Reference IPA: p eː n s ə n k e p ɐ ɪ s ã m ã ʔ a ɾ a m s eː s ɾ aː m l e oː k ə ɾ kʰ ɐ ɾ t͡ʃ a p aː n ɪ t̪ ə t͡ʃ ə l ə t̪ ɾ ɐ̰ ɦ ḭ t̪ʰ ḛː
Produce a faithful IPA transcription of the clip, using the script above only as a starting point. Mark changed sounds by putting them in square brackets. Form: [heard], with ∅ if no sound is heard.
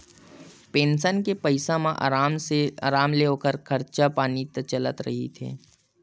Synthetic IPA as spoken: p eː n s ə n k e p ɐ ɪ s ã m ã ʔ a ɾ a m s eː [∅] ɾ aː m l e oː k ə ɾ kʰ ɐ ɾ t͡ʃ a p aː n [i] t̪ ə t͡ʃ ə l ə t̪ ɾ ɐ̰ ɦ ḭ t̪ʰ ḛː